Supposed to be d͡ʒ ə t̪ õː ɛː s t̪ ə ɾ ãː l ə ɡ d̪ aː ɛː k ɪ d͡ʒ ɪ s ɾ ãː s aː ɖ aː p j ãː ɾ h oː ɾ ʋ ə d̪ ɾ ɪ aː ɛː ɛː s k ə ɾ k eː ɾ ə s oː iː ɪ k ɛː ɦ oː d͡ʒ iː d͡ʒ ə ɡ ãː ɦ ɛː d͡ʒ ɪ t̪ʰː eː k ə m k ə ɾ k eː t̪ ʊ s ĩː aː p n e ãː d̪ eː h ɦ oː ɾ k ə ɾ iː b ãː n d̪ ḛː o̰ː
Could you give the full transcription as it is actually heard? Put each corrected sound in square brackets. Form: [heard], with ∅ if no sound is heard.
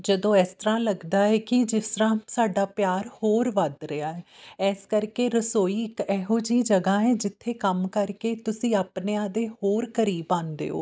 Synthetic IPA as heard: d͡ʒ ə [d̪] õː ɛː s t̪ ə ɾ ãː l ə ɡ d̪ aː ɛː k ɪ d͡ʒ ɪ s ɾ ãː s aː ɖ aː p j [aː] ɾ h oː ɾ ʋ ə d̪ ɾ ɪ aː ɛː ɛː s k ə ɾ k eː ɾ ə s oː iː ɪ k ɛː ɦ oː d͡ʒ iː d͡ʒ ə ɡ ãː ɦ ɛː d͡ʒ ɪ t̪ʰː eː k ə m k ə ɾ k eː t̪ ʊ s ĩː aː p n e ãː d̪ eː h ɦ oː ɾ k ə ɾ iː b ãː n d̪ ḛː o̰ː